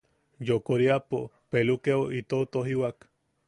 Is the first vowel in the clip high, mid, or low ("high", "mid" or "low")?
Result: mid